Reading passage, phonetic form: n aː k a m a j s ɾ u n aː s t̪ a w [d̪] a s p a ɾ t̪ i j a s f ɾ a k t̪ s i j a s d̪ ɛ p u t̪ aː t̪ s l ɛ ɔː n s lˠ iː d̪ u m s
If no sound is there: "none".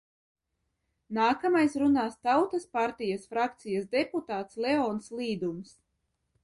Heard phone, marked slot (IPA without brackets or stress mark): t̪